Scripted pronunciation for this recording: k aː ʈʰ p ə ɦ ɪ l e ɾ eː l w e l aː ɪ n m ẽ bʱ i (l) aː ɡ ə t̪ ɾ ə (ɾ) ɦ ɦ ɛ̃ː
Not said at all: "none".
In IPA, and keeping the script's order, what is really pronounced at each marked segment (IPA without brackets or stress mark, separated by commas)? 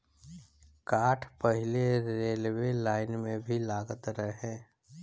l, none